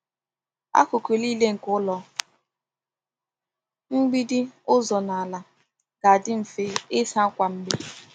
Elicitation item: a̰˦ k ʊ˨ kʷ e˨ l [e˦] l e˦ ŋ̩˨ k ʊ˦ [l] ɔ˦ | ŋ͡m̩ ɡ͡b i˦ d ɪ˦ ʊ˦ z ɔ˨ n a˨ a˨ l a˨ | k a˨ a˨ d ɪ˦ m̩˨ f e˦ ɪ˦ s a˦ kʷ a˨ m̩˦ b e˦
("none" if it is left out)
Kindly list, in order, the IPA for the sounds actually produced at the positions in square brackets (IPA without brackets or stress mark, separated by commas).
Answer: i˦, l